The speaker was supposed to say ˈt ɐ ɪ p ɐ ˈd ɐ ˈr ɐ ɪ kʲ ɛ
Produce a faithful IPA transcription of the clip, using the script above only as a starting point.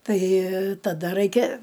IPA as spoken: ˈt ɐ ɪ t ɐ ˈd ɐ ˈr ɐ ɪ kʲ ɛ